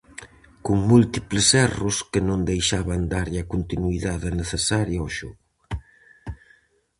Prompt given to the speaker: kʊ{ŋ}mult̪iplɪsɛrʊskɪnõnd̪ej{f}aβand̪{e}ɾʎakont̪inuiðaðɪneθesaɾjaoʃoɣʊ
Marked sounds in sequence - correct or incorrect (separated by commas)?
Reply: correct, incorrect, incorrect